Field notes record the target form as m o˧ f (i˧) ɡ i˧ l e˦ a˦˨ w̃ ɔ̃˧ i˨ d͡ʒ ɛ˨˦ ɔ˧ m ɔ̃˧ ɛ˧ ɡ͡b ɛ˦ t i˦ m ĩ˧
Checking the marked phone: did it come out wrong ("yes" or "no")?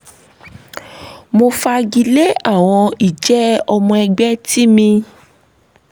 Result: yes